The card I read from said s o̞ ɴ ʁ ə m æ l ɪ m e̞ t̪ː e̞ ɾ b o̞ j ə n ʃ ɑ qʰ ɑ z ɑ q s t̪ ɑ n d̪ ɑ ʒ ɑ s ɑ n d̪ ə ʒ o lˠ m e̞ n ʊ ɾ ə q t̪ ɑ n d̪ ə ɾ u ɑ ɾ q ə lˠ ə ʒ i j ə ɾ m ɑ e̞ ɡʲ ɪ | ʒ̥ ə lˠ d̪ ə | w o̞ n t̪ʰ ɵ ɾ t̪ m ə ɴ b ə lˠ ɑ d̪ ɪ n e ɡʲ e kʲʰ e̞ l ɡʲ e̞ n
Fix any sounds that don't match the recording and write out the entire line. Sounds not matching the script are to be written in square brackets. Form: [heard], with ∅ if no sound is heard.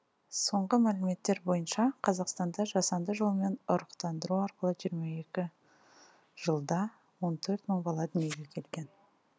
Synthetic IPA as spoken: s o̞ ɴ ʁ ə m æ l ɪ m e̞ t̪ː e̞ ɾ b o̞ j ə n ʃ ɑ qʰ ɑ z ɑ q s t̪ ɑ n d̪ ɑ ʒ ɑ s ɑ n d̪ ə ʒ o lˠ m e̞ n ʊ ɾ ə q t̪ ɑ n d̪ ə ɾ u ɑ ɾ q ə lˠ ə ʒ i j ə ɾ m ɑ e̞ [kʲ] ɪ | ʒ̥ ə lˠ d̪ [ɑ] | w o̞ n t̪ʰ ɵ ɾ t̪ m ə ɴ b [ɑ] lˠ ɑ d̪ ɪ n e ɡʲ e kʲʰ e̞ l ɡʲ e̞ n